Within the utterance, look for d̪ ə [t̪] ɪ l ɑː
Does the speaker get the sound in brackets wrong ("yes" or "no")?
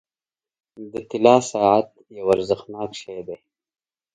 no